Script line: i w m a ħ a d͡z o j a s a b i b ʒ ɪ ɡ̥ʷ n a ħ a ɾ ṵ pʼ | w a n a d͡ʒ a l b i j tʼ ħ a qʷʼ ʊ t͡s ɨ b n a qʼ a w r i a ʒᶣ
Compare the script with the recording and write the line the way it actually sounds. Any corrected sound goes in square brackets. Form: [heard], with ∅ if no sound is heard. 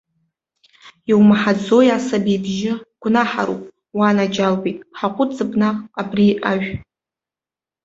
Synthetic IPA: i w m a ħ a d͡z o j a s a b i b ʒ ɪ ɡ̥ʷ n a ħ a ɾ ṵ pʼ | w a n a d͡ʒ a l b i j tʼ ħ a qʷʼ ʊ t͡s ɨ b n a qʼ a [b] r i a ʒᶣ